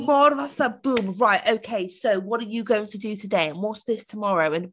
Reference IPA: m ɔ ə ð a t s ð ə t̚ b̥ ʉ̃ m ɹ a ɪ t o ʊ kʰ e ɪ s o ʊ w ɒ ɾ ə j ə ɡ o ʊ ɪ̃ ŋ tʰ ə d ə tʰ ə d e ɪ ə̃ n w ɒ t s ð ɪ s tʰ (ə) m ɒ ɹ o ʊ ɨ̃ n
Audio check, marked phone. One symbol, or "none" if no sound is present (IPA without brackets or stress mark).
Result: ə